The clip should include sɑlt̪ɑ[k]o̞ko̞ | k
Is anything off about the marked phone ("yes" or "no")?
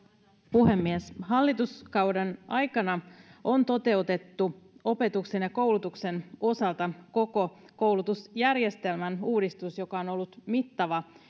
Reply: no